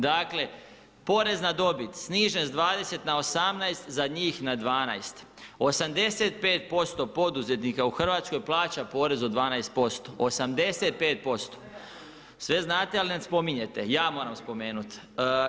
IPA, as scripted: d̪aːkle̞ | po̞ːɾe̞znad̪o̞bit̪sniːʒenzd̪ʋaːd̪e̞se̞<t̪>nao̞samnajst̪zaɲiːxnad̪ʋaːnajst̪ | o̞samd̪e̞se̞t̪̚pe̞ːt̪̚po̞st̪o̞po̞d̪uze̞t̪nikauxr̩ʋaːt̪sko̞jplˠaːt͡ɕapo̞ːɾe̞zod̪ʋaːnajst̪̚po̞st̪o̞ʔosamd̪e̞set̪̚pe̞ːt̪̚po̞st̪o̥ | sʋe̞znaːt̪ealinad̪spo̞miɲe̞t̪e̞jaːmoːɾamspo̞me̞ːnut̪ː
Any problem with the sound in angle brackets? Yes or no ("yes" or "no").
no